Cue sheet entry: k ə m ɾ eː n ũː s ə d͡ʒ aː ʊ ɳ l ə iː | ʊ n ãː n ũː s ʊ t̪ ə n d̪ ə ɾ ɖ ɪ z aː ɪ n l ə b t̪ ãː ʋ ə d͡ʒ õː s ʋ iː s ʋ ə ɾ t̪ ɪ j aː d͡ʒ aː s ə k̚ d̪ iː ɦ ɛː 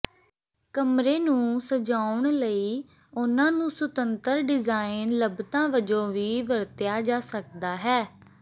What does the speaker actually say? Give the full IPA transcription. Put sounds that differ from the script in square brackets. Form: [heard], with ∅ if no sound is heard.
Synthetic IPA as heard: k ə m ɾ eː n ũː s ə d͡ʒ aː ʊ ɳ l ə iː | ʊ n ãː n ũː s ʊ t̪ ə n [t̪] ə ɾ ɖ ɪ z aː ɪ n l ə b t̪ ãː ʋ ə d͡ʒ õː [∅] ʋ iː [∅] ʋ ə ɾ t̪ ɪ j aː d͡ʒ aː s ə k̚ d̪ [aː] ɦ ɛː